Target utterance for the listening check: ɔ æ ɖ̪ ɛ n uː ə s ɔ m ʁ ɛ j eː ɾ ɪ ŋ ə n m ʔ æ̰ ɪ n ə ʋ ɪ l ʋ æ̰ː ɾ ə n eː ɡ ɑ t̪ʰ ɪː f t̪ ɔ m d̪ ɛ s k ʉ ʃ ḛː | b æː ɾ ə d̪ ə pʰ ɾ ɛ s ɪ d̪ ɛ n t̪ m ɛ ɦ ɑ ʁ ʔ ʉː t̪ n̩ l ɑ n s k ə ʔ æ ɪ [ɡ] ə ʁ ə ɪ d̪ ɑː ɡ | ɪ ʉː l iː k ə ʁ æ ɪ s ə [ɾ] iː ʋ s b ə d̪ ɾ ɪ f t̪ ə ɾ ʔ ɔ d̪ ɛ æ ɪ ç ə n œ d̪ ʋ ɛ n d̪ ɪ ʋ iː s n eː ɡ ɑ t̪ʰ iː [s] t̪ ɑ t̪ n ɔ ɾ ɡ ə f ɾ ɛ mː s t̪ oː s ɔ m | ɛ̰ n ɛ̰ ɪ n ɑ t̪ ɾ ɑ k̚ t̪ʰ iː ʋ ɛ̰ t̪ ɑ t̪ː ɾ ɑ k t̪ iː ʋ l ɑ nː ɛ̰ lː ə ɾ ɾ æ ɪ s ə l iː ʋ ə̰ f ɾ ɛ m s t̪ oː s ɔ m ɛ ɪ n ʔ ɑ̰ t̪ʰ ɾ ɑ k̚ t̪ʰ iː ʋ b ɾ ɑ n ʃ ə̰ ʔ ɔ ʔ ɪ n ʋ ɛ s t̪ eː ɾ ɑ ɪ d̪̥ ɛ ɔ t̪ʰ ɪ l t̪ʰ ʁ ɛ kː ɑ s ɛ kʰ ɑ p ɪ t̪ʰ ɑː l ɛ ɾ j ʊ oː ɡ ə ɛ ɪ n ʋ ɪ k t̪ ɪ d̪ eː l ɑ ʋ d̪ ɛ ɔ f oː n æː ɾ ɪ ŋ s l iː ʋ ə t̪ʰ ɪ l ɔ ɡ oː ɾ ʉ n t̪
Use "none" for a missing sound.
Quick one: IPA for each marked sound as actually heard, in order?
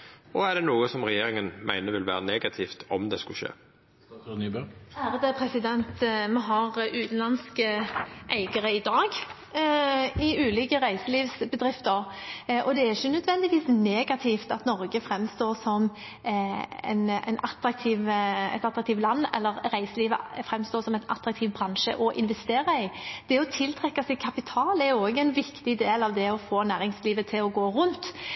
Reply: ɡ, l, f

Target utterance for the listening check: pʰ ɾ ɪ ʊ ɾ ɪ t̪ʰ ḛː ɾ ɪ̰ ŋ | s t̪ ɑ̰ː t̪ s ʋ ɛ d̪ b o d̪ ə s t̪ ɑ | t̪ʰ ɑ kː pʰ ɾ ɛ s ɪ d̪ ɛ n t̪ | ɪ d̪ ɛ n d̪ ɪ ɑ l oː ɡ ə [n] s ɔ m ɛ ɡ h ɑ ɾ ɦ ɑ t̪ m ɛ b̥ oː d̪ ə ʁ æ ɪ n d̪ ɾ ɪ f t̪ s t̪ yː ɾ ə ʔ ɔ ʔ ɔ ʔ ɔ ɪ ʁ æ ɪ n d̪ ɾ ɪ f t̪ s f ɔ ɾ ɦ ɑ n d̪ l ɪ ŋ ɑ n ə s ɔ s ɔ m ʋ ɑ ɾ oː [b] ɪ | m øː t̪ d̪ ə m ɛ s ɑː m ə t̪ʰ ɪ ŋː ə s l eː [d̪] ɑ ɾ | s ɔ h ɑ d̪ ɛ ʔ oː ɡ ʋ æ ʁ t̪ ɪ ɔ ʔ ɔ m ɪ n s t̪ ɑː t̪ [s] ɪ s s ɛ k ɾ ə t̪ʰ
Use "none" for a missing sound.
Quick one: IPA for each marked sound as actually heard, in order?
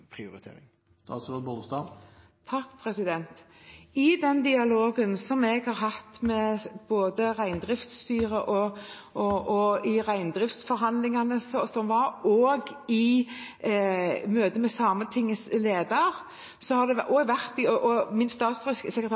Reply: n, ɡ, d̪, s

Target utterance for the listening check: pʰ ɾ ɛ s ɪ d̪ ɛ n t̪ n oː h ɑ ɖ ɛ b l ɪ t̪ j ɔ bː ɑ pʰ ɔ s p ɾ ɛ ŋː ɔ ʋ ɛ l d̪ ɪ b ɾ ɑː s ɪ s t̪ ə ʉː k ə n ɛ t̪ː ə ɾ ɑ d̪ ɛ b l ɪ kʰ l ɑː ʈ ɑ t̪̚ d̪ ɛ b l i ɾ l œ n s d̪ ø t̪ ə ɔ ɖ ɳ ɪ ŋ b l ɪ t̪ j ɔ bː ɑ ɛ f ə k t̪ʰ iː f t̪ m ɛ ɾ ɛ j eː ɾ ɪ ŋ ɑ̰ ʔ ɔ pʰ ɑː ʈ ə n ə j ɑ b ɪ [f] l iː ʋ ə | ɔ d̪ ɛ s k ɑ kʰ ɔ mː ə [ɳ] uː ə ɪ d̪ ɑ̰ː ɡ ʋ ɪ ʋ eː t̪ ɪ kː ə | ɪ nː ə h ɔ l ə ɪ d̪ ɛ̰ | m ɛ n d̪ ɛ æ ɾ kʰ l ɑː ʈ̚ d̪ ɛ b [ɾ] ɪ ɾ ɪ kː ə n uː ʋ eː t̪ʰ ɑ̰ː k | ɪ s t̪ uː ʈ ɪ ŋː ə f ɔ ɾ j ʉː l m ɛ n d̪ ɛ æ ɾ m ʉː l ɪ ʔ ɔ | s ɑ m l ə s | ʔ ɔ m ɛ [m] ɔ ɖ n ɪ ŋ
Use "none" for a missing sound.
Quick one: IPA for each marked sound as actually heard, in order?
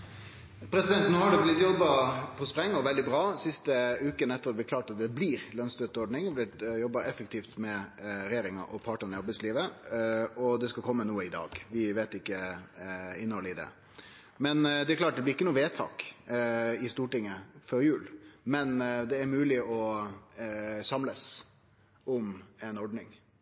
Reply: s, n, l, n

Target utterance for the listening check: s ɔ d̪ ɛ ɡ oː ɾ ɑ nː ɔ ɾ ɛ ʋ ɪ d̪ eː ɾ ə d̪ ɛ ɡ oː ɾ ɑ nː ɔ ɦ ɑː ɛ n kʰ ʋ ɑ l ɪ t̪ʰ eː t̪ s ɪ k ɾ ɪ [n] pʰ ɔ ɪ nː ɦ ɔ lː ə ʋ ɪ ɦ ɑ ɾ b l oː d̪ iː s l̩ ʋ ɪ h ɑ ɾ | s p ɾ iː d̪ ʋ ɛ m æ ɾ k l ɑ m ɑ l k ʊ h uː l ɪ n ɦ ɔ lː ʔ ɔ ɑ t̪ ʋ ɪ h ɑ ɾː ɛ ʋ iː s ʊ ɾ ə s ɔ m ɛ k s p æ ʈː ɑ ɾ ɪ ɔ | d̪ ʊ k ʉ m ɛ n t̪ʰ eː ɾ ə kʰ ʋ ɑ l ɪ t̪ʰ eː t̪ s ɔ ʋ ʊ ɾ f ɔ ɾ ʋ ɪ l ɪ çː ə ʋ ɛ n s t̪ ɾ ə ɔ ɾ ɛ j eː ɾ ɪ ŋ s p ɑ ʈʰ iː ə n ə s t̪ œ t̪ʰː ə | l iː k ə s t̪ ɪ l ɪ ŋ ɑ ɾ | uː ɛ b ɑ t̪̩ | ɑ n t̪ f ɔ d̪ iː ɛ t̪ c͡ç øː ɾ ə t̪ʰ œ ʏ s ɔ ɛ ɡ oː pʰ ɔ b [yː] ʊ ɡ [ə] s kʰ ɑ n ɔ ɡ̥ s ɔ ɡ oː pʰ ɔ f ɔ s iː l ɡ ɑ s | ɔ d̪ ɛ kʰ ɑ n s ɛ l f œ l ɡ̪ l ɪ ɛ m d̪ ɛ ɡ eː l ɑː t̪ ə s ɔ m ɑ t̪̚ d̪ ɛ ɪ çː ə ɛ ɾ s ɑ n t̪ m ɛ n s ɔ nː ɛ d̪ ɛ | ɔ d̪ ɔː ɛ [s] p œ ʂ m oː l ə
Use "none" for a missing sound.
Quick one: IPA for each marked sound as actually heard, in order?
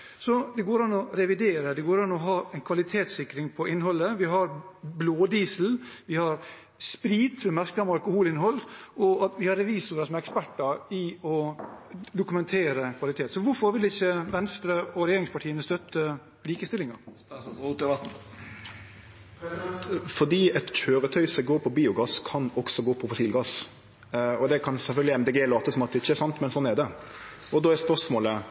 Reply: ŋ, iː, ɑ, s

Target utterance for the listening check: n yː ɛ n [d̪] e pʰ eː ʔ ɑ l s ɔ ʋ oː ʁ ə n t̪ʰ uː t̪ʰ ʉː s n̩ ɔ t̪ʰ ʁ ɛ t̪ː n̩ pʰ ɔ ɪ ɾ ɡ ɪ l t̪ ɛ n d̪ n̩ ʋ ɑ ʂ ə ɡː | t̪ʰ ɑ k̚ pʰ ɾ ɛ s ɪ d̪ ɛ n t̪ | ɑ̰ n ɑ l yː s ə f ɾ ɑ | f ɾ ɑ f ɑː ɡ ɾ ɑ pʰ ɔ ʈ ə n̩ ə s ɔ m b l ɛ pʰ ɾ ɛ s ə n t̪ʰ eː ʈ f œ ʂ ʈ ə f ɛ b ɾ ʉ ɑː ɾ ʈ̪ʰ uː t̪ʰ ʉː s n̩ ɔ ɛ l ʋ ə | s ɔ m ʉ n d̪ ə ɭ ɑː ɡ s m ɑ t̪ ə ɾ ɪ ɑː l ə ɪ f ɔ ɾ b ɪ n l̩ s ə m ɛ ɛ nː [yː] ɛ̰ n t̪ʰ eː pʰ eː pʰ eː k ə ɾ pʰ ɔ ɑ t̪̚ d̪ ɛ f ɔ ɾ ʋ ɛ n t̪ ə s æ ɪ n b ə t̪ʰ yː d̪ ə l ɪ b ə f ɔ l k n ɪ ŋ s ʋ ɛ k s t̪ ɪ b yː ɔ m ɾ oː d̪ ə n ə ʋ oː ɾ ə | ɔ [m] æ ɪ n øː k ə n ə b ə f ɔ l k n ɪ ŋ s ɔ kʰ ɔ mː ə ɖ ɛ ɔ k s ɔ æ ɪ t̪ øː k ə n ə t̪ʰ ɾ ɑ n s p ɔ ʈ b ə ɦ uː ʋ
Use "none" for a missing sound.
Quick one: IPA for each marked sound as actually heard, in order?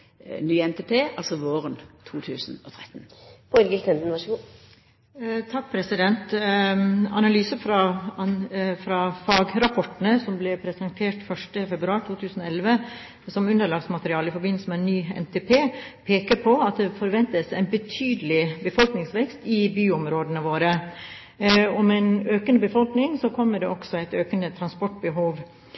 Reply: t̪, yː, m

